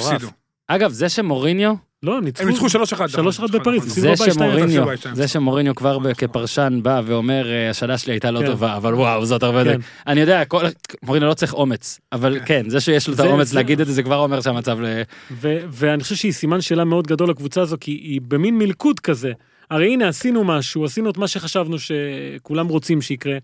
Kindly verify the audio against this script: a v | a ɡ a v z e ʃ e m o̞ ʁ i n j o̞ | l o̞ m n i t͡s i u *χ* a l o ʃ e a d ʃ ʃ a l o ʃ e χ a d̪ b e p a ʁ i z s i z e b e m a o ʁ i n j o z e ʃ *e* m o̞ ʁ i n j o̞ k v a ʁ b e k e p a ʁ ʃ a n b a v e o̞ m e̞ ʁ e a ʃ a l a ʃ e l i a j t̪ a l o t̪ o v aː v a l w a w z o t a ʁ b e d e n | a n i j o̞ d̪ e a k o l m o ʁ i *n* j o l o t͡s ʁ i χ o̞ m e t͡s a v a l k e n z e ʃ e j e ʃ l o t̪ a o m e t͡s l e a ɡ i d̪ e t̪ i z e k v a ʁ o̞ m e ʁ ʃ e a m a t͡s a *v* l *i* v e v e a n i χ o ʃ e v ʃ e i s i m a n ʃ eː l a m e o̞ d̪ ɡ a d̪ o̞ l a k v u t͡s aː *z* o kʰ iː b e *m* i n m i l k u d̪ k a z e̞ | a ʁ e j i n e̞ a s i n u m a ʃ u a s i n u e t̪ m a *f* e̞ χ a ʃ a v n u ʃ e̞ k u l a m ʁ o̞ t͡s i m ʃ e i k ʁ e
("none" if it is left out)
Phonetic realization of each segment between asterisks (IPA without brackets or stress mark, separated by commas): ʃ, e, n, v, e, z, m, ʃ